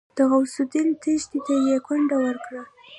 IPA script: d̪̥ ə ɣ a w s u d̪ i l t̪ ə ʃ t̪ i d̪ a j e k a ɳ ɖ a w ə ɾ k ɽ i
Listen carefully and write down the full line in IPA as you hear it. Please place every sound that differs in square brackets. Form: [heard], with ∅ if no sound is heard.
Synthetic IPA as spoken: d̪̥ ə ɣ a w s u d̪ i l t̪ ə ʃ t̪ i [t̪] a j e k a ɳ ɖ a w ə ɾ k ɽ [a]